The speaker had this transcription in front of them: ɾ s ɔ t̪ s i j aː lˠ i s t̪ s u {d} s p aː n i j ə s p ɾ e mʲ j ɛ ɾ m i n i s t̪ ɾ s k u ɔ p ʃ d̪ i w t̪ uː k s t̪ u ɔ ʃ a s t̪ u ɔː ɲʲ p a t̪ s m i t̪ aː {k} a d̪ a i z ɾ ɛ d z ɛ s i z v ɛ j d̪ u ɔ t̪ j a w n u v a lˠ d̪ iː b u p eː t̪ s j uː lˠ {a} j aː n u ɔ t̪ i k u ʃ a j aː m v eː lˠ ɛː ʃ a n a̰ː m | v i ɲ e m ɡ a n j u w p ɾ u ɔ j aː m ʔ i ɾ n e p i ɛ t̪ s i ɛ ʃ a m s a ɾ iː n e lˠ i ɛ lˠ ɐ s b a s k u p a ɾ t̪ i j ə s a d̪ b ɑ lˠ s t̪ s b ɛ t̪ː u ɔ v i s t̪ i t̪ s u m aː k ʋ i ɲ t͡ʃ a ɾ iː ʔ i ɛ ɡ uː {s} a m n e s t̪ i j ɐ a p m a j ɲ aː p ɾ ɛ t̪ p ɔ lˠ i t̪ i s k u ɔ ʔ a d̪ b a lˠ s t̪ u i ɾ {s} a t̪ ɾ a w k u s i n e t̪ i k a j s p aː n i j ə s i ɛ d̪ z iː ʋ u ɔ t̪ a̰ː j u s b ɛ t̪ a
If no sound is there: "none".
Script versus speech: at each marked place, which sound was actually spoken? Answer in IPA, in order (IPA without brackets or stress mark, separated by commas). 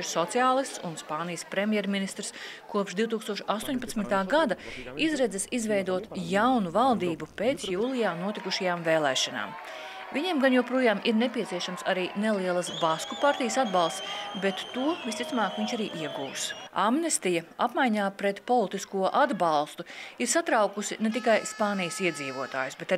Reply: n, ɡ, i, s, s